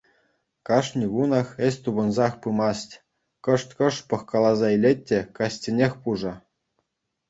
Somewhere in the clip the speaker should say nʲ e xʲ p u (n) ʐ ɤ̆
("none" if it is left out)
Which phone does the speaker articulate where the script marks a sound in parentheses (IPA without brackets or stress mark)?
none